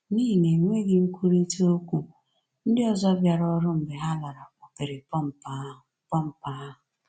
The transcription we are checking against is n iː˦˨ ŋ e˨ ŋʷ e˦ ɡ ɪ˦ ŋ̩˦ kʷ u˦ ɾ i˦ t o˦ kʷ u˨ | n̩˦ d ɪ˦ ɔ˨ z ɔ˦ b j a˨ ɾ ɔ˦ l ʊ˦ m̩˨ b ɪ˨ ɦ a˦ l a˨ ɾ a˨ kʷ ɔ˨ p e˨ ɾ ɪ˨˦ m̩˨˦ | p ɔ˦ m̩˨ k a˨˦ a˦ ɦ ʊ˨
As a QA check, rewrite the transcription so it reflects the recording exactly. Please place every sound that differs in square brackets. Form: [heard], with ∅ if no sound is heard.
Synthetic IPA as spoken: n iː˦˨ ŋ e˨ ŋʷ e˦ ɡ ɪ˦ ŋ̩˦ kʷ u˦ ɾ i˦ t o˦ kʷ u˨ | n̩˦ d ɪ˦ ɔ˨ z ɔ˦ b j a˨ ɾ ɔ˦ [ɾ] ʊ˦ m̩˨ b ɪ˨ ɦ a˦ l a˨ ɾ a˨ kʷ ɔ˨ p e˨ ɾ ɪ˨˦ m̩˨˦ | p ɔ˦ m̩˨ [p] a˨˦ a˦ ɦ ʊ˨